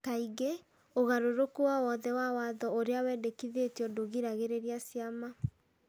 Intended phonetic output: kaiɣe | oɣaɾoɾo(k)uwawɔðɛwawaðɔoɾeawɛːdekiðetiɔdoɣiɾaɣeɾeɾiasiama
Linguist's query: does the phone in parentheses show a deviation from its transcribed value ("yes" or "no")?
no